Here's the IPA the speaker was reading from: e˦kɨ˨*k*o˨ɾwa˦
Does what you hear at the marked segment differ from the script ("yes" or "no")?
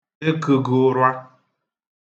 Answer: yes